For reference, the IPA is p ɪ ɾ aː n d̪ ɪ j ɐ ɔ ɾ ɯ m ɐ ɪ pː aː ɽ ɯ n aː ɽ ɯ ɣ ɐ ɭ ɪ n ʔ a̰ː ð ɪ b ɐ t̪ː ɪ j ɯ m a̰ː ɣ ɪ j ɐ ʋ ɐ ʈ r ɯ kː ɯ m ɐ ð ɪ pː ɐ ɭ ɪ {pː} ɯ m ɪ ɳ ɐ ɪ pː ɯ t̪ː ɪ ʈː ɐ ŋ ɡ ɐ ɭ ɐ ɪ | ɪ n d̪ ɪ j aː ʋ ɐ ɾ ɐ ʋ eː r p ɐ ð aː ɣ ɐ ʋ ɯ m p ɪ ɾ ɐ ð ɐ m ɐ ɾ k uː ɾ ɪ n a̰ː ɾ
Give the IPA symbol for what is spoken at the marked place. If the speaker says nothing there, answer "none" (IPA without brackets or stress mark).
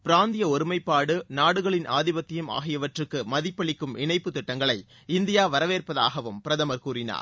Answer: kː